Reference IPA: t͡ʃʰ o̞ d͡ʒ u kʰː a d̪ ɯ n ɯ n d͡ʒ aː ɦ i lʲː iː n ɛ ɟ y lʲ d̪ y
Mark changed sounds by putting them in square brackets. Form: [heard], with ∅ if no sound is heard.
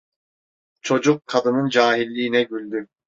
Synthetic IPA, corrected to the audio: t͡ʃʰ o̞ d͡ʒ u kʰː a d̪ ɯ n ɯ n d͡ʒ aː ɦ i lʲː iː n ɛ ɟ y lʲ d̪ y